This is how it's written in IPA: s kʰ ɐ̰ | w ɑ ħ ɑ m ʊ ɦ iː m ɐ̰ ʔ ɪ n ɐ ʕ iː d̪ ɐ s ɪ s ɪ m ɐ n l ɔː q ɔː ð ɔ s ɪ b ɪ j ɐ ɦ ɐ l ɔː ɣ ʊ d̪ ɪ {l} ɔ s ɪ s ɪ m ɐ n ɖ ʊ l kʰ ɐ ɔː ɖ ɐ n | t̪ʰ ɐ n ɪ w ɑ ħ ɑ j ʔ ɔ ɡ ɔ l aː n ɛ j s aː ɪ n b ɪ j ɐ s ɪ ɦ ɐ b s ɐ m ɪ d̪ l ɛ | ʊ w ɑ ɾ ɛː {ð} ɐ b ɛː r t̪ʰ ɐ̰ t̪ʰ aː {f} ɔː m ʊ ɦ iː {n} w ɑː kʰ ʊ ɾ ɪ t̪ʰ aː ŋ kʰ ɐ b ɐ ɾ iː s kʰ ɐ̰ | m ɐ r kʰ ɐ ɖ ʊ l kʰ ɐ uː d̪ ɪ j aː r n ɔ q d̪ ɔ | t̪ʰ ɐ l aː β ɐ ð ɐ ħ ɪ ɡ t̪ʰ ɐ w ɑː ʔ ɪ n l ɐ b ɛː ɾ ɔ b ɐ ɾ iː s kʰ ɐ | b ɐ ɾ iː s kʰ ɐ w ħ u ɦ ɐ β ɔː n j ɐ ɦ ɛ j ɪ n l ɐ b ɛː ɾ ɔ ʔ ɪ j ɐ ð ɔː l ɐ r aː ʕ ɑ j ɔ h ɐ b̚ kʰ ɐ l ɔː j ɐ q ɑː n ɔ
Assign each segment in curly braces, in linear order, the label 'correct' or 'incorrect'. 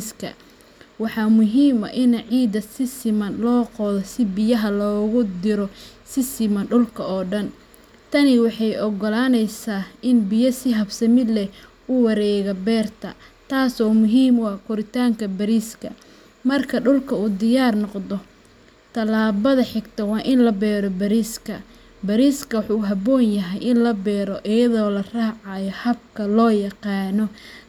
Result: incorrect: ɾ, incorrect: ɣ, incorrect: s, incorrect: m

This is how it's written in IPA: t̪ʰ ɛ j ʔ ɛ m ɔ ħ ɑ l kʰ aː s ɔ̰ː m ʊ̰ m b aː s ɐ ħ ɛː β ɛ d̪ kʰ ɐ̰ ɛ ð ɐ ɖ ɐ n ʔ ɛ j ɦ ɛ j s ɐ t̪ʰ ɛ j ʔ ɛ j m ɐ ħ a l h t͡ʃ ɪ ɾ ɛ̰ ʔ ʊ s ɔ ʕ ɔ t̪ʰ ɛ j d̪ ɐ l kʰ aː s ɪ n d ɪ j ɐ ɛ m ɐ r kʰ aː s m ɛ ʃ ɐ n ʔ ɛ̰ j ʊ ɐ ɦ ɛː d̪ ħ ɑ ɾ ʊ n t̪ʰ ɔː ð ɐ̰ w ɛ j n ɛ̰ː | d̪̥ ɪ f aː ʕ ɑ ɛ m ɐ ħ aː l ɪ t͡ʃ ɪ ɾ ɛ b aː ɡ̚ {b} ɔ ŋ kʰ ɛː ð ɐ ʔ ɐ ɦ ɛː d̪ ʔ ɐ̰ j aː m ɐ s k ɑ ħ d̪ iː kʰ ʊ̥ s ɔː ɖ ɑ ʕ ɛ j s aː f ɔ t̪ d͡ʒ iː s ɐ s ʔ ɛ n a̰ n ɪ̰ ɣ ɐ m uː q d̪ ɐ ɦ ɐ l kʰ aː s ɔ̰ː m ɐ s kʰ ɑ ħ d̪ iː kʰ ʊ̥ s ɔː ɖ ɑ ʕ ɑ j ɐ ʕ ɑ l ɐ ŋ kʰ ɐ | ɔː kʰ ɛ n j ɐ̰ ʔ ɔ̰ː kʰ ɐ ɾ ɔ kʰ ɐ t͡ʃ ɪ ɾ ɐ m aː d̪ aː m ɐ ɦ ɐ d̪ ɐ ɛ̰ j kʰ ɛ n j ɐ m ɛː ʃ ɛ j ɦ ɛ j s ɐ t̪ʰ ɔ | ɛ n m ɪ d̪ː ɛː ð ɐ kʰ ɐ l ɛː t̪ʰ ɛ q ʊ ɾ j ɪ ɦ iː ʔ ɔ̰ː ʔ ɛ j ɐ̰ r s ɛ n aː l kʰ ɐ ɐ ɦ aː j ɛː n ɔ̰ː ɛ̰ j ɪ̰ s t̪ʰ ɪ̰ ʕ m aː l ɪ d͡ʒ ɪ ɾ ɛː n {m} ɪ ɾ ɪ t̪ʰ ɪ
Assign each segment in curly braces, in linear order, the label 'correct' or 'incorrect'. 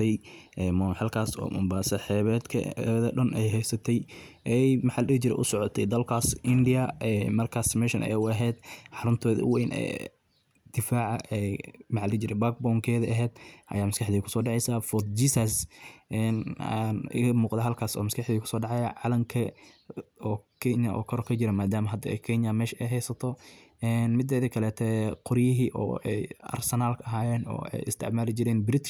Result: correct, incorrect: b

